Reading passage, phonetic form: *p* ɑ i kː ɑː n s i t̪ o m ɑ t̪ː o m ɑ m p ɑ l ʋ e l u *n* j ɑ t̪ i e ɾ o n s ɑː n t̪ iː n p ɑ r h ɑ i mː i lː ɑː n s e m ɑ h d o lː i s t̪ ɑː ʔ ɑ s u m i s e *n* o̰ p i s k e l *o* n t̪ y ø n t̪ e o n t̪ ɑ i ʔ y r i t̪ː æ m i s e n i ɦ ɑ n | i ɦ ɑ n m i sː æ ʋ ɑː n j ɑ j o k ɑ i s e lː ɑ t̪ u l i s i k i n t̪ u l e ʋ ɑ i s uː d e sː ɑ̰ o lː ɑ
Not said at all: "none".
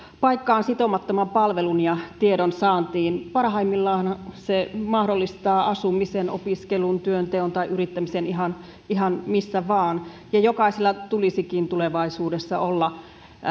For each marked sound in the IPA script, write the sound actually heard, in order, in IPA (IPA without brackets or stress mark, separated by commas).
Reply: p, n, n, u